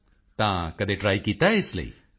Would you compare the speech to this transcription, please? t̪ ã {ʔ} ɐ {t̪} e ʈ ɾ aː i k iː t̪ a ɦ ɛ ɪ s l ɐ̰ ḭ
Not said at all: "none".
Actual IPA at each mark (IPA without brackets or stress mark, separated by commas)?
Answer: k, d̪